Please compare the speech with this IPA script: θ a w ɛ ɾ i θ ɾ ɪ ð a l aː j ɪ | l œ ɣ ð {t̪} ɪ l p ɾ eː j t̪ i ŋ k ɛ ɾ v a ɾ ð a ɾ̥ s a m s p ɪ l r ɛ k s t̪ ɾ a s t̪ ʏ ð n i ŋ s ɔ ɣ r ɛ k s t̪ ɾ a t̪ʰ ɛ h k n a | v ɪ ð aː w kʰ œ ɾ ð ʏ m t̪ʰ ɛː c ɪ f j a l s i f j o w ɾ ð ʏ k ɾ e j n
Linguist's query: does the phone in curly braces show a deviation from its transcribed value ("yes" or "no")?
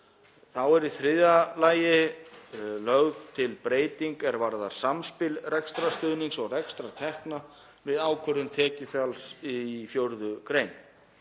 yes